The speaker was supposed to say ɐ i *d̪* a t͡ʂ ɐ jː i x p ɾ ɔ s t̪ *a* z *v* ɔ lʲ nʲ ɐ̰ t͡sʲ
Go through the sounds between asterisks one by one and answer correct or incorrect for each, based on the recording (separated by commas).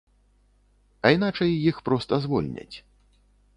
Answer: incorrect, incorrect, correct